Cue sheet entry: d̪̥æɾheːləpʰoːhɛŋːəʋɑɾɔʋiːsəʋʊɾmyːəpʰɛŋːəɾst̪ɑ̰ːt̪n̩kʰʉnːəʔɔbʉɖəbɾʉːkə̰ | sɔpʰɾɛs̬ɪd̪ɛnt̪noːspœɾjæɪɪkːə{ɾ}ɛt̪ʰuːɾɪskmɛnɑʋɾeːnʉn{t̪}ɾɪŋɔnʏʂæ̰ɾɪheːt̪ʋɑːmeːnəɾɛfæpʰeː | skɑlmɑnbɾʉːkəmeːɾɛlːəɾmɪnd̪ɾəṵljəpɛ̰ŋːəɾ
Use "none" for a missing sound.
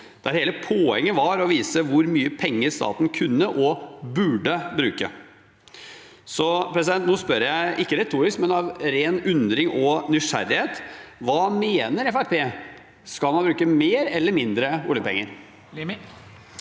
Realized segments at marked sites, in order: ɾ, d̪

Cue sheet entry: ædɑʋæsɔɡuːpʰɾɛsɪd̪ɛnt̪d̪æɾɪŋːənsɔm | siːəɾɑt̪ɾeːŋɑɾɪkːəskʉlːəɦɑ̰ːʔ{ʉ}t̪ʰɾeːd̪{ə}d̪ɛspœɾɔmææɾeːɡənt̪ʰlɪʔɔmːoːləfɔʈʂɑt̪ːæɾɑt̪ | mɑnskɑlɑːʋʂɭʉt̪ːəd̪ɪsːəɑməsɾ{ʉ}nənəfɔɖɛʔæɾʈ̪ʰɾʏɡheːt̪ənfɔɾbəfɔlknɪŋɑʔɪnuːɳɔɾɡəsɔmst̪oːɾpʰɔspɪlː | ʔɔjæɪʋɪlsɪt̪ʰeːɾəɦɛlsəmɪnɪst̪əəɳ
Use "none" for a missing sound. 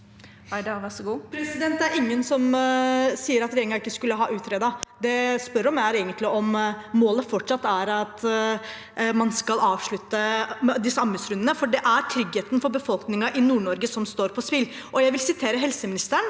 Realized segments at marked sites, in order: ʉː, ɑ, ʉ

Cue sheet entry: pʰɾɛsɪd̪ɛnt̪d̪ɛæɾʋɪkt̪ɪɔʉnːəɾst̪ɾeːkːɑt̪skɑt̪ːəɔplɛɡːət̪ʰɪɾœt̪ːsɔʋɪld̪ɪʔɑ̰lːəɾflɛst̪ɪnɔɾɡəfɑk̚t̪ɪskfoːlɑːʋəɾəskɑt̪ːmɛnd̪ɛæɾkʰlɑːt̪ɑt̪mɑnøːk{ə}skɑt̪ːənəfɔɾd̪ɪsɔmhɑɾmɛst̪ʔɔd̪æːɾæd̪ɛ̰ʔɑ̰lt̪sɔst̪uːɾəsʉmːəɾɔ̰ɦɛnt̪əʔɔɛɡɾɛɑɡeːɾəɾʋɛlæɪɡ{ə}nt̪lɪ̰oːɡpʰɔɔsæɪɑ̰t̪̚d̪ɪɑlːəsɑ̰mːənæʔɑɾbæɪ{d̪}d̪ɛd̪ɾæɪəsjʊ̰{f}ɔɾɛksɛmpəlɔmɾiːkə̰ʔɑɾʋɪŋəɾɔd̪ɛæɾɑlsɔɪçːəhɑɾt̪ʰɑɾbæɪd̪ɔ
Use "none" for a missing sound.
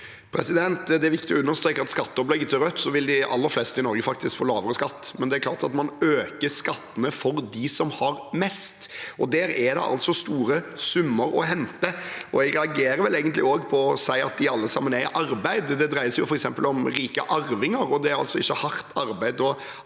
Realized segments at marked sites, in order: ə, ə, d̪, f

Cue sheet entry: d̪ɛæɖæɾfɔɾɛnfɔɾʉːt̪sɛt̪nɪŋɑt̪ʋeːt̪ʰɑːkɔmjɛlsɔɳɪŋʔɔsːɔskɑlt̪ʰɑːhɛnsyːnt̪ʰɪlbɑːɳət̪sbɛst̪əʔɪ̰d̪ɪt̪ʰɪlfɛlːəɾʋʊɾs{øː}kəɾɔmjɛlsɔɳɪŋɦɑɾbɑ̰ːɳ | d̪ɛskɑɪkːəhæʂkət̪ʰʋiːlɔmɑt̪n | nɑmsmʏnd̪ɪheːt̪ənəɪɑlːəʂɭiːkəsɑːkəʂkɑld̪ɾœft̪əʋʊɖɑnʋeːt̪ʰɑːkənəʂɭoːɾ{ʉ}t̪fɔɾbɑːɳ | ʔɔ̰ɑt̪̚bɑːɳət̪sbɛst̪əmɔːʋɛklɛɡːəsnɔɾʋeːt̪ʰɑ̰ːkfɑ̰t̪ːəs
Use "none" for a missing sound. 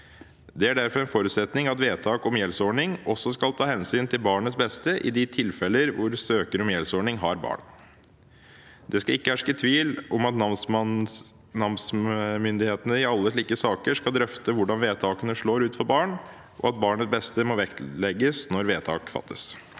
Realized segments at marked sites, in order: øː, ʉː

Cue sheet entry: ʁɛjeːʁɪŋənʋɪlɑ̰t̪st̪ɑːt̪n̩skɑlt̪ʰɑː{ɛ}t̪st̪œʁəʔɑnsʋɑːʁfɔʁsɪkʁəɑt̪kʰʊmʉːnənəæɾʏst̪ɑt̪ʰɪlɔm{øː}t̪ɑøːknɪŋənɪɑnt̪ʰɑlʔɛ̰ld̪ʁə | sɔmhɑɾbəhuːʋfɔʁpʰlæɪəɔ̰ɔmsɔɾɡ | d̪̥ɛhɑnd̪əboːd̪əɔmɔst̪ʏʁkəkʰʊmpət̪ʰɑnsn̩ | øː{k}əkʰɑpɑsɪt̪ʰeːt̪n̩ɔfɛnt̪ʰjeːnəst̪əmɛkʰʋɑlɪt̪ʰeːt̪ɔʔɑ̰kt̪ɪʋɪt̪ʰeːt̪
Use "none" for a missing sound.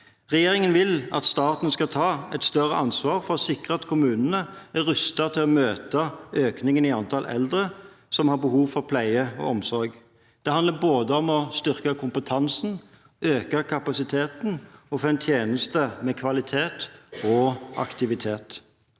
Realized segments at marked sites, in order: ɛ, øː, k

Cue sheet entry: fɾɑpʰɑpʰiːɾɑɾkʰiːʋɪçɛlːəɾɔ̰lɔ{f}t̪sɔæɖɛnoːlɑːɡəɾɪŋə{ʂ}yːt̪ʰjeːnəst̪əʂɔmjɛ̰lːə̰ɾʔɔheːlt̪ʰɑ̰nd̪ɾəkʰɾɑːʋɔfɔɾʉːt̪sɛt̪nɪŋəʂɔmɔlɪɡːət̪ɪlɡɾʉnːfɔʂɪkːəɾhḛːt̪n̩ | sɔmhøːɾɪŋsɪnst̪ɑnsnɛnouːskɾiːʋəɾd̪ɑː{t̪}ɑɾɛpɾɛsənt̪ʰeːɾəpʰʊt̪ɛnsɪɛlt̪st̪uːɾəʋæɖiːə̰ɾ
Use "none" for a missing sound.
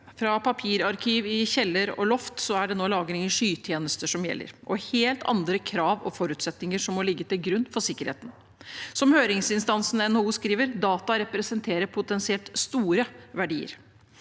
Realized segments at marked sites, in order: f, ʂ, t̪

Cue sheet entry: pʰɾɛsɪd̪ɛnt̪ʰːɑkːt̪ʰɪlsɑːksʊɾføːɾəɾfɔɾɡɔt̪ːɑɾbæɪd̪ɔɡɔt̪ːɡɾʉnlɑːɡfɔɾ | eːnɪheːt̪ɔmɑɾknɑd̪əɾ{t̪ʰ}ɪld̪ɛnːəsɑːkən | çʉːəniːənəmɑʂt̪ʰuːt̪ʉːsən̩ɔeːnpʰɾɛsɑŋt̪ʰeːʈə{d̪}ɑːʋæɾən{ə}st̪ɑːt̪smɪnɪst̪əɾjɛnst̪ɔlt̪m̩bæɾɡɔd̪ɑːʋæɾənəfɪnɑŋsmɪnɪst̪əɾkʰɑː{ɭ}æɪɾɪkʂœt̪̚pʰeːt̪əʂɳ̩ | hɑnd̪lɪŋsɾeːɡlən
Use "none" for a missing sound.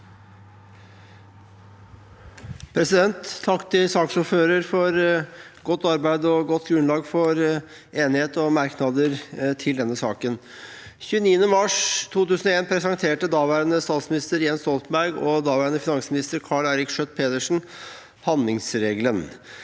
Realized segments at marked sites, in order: t̪ʰ, d̪, ə, ɭ

